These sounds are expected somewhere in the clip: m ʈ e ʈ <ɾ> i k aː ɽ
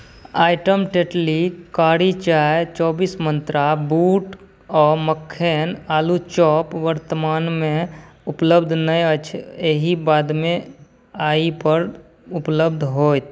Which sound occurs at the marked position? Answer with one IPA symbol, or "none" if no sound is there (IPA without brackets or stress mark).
l